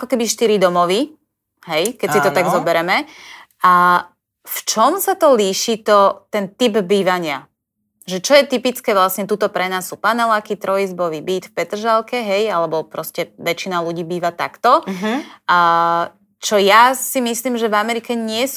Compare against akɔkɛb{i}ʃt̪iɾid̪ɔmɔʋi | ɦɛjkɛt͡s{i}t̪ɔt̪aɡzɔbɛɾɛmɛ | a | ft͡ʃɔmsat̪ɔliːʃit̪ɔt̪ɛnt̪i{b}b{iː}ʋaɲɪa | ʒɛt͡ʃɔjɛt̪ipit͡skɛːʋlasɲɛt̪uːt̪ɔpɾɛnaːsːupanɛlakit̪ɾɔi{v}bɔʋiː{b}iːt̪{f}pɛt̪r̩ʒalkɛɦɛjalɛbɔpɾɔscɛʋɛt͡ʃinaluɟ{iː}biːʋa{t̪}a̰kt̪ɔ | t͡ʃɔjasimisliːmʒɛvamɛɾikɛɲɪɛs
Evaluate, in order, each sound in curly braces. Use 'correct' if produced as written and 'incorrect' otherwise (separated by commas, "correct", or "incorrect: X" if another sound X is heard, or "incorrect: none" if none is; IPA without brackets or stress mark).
correct, correct, correct, correct, incorrect: z, correct, correct, correct, correct